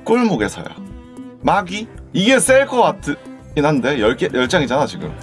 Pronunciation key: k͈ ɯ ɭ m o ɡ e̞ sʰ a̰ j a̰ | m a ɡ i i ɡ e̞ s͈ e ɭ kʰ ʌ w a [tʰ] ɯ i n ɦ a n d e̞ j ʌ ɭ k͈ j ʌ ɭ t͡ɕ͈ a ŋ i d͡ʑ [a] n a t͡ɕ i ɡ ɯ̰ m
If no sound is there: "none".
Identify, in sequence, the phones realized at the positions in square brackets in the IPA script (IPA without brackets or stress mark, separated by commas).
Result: tʰ, a